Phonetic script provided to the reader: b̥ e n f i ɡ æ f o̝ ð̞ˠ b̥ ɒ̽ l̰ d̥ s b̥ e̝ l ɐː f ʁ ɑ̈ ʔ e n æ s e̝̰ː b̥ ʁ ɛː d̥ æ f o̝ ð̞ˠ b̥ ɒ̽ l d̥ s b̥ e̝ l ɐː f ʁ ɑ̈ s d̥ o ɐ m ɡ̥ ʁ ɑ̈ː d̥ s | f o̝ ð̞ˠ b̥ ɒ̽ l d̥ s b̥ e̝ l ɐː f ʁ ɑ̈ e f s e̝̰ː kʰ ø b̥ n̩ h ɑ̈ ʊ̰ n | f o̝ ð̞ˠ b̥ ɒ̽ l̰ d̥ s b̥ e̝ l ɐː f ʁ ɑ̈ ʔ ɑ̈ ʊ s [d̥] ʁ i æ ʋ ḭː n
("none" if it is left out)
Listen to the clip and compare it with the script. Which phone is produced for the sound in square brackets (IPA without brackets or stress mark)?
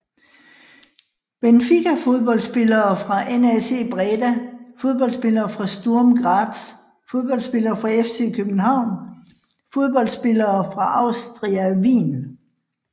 d̥